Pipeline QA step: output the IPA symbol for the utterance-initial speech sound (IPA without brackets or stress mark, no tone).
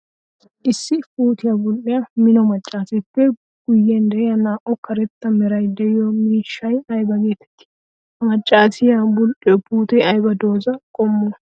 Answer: ʔ